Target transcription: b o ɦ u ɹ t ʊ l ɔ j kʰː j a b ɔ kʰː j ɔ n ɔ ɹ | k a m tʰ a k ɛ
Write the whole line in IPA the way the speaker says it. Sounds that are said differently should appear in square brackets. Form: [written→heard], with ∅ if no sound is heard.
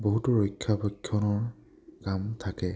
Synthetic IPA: b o ɦ u [ɹ→∅] t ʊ [l→ɹ] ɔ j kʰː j a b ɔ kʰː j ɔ n ɔ ɹ | k a m tʰ a k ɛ